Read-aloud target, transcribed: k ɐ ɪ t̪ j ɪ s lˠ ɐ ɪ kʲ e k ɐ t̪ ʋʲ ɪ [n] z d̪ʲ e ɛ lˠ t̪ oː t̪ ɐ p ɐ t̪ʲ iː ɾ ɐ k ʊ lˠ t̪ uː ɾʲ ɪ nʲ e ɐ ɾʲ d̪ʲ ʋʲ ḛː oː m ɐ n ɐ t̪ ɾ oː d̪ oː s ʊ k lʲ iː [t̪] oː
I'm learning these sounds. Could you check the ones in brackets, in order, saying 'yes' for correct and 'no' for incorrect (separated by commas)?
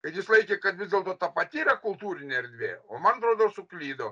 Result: no, no